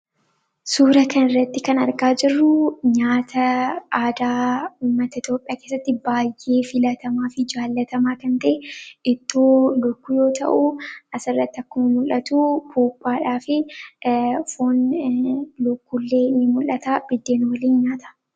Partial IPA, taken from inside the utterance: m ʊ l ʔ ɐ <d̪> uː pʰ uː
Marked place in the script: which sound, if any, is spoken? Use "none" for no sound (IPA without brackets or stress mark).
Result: t̪